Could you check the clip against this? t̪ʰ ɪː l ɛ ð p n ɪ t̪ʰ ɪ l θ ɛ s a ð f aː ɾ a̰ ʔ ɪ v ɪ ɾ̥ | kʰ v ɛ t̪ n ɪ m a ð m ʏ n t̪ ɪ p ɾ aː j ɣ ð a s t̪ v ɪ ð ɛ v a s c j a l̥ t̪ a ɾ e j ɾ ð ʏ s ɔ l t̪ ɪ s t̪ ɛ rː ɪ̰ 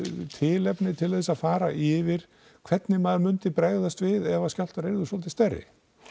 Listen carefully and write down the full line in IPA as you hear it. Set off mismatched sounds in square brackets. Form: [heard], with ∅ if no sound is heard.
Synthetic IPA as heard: t̪ʰ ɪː l ɛ [∅] p n ɪ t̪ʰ ɪ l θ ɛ s a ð f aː ɾ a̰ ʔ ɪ v ɪ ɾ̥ | kʰ v ɛ t̪ n ɪ m a ð m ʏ n t̪ ɪ p ɾ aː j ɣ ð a s t̪ v ɪ ð ɛ v a s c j a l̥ t̪ a ɾ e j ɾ ð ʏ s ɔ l t̪ ɪ s t̪ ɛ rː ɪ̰